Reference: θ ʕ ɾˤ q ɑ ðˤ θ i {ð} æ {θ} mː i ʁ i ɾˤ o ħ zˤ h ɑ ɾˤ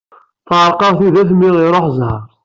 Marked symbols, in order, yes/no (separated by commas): yes, yes